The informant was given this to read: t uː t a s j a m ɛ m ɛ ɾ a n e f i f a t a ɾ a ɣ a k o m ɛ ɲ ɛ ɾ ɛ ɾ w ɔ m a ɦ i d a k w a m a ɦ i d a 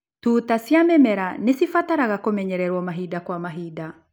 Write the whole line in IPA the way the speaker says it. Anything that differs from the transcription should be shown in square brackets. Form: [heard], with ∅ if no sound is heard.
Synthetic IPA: t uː t a s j a m ɛ m ɛ ɾ a n e [s] i f a t a ɾ a ɣ a k o m ɛ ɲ ɛ ɾ ɛ ɾ w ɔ m a ɦ i d a k w a m a ɦ i d a